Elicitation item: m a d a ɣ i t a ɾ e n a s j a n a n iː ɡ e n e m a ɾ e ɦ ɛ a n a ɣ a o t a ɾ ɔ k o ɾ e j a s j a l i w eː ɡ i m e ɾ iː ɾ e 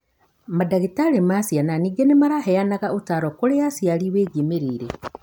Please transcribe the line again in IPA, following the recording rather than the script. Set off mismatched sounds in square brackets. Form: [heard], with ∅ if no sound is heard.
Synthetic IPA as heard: m a d a ɣ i t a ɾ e [m] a s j a n a n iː ɡ e n e m a ɾ [a] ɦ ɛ a n a ɣ a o t a ɾ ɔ k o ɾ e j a s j a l i w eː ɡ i m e ɾ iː ɾ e